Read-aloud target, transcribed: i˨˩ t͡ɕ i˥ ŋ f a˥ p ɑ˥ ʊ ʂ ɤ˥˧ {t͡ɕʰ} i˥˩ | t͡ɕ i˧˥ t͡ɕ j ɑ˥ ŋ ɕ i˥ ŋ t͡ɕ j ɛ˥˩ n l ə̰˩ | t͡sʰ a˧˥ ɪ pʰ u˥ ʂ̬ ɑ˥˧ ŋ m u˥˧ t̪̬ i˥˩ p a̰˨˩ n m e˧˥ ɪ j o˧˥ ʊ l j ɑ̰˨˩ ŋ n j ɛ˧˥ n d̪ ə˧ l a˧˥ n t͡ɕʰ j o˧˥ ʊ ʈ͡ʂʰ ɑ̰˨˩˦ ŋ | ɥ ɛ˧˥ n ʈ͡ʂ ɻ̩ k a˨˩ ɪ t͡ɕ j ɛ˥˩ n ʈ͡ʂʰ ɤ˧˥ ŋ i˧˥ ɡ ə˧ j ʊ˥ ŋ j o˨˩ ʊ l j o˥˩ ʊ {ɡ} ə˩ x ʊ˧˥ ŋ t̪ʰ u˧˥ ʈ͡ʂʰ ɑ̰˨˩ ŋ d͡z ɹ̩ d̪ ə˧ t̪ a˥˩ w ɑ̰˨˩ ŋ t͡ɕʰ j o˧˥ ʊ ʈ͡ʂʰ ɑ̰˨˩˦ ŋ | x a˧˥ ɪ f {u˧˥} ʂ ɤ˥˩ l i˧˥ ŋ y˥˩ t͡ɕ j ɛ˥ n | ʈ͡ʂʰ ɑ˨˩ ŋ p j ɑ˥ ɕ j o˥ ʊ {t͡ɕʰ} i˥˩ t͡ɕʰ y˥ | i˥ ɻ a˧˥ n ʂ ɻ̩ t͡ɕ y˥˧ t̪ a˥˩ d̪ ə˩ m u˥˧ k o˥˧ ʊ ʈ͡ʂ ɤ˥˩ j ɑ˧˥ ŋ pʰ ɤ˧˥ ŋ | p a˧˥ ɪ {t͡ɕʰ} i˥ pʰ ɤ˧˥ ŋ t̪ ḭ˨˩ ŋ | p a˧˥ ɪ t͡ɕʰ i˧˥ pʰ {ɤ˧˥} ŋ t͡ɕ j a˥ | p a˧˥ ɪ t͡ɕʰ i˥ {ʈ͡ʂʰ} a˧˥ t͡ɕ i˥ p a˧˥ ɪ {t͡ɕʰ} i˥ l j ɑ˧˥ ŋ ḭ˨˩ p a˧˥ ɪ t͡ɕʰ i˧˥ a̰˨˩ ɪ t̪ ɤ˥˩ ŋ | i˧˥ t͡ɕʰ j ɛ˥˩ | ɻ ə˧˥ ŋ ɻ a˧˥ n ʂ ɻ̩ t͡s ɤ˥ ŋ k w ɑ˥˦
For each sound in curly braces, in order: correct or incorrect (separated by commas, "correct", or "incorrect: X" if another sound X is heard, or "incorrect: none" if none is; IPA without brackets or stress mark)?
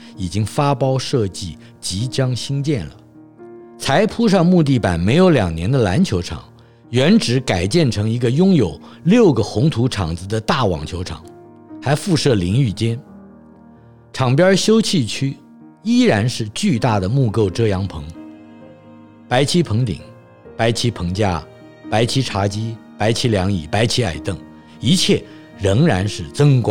incorrect: t͡ɕ, correct, incorrect: u˥˧, correct, correct, correct, correct, correct